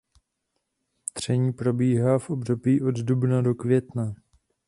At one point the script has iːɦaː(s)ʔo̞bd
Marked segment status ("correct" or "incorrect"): incorrect